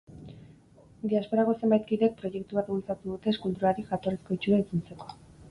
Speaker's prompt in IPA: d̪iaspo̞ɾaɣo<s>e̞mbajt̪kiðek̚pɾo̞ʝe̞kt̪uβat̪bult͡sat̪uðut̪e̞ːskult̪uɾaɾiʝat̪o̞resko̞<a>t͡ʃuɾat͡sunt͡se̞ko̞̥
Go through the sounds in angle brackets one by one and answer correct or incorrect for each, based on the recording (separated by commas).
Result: correct, incorrect